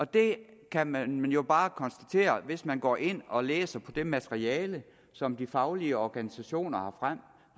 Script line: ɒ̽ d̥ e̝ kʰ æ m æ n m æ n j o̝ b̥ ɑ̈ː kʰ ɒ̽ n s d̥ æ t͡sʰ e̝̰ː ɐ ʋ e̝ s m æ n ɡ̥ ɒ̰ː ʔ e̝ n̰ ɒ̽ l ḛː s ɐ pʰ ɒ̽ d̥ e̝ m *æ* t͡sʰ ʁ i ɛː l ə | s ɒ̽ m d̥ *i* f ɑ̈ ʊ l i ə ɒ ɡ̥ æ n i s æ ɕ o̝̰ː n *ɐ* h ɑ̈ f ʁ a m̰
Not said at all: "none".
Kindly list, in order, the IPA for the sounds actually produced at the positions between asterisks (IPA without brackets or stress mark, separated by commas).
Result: æ, i, ɐ